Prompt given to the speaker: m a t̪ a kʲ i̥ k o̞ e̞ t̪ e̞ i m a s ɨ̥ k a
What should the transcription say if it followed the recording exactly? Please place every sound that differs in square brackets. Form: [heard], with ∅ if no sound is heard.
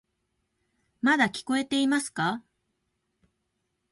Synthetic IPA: m a [d̪] a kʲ i̥ k o̞ e̞ t̪ e̞ i m a s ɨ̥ k a